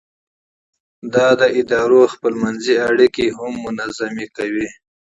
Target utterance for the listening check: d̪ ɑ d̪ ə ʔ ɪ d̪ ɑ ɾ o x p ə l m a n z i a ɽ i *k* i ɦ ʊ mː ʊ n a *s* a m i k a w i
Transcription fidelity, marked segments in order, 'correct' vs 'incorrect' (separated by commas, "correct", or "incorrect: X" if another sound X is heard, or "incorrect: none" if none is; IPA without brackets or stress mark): correct, incorrect: z